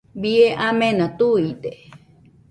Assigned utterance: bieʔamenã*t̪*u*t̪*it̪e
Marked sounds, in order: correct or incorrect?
correct, incorrect: none

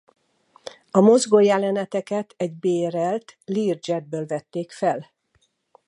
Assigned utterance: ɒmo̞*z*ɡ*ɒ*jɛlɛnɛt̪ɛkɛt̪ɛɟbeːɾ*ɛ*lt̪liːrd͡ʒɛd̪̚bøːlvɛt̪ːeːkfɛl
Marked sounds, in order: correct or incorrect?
correct, incorrect: o, correct

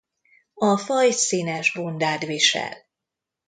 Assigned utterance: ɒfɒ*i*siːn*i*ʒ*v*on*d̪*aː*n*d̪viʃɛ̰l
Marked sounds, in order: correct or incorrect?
incorrect: j, incorrect: ɛ, incorrect: b, correct, incorrect: none

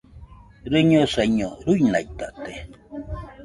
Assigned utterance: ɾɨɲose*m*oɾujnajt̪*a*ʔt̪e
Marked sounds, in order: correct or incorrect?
incorrect: ɲ, correct

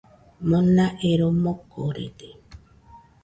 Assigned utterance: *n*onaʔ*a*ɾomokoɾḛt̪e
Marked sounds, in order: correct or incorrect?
incorrect: m, incorrect: e

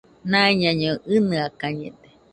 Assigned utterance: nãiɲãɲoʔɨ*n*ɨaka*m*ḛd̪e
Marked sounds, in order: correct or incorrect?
correct, incorrect: ɲ

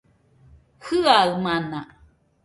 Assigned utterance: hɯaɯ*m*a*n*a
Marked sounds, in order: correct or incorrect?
correct, correct

